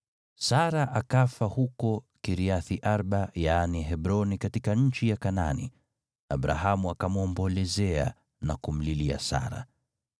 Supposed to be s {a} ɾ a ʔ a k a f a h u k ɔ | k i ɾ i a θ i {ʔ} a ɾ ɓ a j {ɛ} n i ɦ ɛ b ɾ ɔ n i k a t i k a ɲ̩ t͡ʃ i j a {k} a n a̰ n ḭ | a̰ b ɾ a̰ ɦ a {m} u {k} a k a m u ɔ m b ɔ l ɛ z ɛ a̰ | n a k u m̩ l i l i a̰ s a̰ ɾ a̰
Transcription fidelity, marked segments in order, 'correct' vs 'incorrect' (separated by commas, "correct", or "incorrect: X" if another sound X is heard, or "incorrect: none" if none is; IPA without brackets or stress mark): correct, correct, incorrect: a, correct, correct, incorrect: none